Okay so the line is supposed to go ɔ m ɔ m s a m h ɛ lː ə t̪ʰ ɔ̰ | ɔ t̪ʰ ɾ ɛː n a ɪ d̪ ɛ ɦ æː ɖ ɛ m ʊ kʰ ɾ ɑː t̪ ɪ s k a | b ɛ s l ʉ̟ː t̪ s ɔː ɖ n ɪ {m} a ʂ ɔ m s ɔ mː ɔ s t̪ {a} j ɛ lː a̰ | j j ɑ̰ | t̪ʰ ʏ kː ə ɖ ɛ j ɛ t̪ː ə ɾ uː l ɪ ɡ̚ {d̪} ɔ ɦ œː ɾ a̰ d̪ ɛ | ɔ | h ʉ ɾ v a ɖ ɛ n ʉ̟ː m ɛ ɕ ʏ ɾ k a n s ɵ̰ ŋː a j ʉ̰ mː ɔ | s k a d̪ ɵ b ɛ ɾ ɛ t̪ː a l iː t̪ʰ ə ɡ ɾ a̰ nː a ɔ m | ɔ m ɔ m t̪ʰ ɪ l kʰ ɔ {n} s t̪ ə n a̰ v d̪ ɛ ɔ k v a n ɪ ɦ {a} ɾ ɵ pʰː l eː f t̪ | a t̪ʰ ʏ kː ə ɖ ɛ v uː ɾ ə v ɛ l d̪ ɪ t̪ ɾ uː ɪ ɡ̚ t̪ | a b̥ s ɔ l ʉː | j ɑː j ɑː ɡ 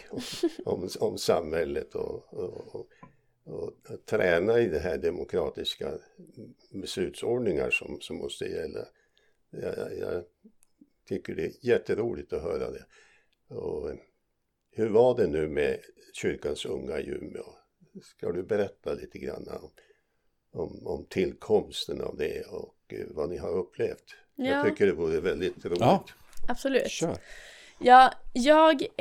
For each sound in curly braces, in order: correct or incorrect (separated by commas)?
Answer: incorrect, incorrect, incorrect, incorrect, correct